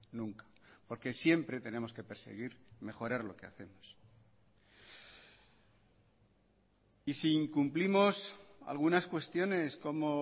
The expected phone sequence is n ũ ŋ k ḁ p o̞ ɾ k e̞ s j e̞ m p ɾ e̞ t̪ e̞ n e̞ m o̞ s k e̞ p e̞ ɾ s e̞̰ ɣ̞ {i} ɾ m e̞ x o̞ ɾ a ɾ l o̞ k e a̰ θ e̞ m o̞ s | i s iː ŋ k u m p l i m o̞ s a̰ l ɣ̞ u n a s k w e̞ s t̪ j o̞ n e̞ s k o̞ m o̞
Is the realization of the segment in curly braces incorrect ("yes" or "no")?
no